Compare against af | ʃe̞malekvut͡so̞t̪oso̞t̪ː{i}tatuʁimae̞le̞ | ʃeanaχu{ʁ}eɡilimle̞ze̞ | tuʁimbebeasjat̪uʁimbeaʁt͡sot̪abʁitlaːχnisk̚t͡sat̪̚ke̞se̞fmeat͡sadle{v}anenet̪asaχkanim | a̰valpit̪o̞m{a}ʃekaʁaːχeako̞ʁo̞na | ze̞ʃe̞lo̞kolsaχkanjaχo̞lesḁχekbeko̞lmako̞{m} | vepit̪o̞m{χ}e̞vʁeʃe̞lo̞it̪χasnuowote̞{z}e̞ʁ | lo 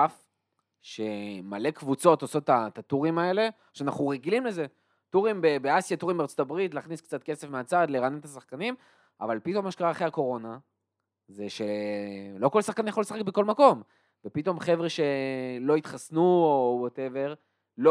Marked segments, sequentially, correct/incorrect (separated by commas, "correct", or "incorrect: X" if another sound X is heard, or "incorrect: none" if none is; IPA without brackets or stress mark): incorrect: a, correct, incorrect: ʁ, correct, correct, correct, incorrect: v